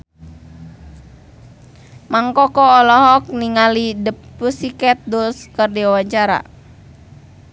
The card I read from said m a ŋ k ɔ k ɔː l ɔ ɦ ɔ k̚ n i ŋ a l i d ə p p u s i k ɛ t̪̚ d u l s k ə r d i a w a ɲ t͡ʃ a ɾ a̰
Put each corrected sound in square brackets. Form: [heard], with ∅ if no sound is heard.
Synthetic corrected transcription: m a ŋ k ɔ k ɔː l ɔ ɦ ɔ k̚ n i ŋ a l i d ə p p u s i k ɛ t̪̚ d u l s k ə r d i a w a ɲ t͡ʃ a ɾ a̰